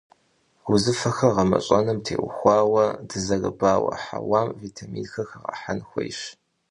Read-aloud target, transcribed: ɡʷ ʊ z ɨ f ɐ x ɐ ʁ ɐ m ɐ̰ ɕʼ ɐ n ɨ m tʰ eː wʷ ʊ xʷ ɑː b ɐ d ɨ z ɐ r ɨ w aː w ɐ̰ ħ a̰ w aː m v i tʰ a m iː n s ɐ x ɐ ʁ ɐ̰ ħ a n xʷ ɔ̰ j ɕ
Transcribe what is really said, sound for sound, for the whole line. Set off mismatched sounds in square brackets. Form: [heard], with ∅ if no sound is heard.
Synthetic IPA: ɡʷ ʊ z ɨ f ɐ x ɐ ʁ ɐ m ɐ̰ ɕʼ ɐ n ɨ m tʰ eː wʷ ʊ xʷ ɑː [w] ɐ d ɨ z ɐ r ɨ [b] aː w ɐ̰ ħ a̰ w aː m v i tʰ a m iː n [x] ɐ x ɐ ʁ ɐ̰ ħ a n xʷ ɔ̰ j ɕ